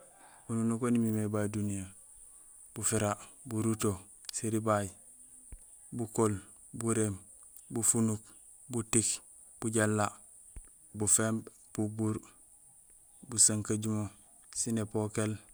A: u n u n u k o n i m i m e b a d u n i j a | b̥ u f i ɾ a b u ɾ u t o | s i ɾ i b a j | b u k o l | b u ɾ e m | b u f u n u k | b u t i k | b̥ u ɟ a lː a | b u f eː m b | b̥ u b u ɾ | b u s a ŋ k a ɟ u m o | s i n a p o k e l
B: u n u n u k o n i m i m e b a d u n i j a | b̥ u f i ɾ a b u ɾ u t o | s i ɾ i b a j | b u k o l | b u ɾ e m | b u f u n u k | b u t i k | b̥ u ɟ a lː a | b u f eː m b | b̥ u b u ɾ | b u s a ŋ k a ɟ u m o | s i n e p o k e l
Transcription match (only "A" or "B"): B